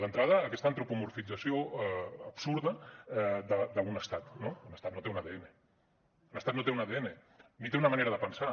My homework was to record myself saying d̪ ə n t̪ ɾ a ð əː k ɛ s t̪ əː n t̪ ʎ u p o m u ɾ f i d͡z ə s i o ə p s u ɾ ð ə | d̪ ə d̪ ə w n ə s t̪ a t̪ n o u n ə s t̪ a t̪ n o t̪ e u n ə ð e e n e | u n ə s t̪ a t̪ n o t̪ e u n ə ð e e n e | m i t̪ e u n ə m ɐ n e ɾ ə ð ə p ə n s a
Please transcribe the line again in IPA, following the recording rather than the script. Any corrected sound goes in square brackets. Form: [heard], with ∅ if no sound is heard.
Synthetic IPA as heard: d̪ ə n t̪ ɾ a ð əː k ɛ s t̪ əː n t̪ [ɾ] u p [u] m u ɾ f i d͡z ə s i o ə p s u ɾ ð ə | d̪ ə d̪ ə [u] n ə s t̪ a t̪ n o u n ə s t̪ a t̪ n o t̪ e u n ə ð e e n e | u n ə s t̪ a t̪ n o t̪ e u n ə ð e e n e | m i t̪ e u n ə m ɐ n e ɾ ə ð ə p ə n s a